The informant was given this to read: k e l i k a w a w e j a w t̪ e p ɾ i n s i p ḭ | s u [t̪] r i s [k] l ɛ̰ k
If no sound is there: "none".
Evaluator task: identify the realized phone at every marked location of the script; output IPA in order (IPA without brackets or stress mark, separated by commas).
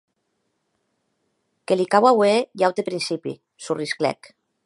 none, k